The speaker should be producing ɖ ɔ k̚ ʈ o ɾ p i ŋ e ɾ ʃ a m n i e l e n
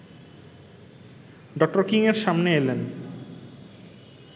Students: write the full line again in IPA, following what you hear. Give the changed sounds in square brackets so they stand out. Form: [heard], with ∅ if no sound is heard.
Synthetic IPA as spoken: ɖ ɔ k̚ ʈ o ɾ [k] i ŋ e ɾ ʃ a m n [e] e l e n